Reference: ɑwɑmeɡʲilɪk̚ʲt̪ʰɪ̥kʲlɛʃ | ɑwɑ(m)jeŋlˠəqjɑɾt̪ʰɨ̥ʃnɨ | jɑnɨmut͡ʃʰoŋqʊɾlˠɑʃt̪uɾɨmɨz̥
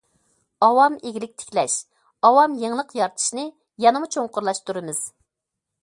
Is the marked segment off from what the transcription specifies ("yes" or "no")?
no